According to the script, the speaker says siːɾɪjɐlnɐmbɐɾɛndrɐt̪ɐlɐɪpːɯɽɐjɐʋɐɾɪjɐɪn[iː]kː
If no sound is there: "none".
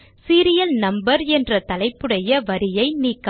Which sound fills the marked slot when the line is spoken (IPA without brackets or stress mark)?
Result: iː